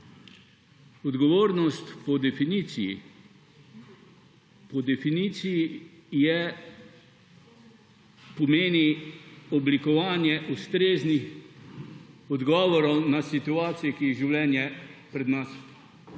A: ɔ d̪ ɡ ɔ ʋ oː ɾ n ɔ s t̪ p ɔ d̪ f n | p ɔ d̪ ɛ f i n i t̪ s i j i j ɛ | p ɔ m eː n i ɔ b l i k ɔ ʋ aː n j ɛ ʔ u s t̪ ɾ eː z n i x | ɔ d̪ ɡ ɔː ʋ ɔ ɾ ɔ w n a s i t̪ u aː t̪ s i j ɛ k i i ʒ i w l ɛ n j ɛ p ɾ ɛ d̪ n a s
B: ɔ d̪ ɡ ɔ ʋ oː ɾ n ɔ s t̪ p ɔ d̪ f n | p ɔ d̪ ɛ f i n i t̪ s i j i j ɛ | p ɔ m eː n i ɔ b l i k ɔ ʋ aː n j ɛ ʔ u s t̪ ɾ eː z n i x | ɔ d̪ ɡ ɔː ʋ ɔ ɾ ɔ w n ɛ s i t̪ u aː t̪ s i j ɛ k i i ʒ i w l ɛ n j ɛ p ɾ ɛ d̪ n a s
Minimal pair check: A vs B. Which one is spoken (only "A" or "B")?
A